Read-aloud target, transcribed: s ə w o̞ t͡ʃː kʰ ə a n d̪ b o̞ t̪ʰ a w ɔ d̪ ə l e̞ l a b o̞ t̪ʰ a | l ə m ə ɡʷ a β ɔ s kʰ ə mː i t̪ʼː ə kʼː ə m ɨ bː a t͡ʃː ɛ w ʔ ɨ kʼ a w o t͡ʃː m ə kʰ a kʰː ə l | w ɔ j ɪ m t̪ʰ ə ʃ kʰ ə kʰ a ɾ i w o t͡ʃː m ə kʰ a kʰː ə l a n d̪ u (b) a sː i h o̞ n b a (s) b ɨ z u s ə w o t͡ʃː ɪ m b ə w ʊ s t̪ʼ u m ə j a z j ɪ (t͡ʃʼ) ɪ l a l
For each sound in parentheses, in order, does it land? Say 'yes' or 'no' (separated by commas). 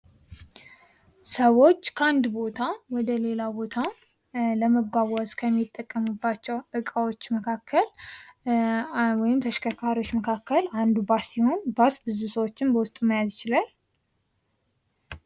yes, yes, no